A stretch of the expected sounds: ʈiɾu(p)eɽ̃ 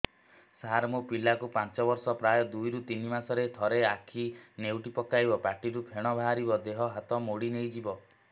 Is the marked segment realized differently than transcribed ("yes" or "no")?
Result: yes